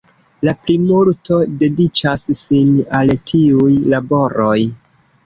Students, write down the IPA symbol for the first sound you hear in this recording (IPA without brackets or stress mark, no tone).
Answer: l